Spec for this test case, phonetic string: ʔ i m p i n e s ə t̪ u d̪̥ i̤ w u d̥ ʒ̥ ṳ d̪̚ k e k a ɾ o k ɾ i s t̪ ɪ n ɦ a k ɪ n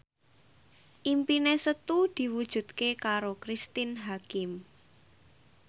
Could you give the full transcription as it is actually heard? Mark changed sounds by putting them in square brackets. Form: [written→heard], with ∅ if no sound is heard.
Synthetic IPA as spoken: ʔ i m p i n e s ə t̪ u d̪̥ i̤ w u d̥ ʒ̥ ṳ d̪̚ k e k a ɾ o k ɾ i s t̪ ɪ n ɦ a k ɪ [n→m]